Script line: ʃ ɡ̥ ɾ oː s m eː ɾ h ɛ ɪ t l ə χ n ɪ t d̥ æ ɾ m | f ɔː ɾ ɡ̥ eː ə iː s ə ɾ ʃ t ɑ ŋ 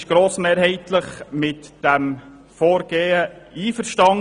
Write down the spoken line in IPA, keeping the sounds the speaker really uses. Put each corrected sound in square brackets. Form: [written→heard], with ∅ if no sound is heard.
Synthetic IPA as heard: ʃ ɡ̥ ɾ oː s m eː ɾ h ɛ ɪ t l ə χ [n→m] ɪ t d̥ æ [ɾ→∅] m | f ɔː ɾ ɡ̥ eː ə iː [s→f] ə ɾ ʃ t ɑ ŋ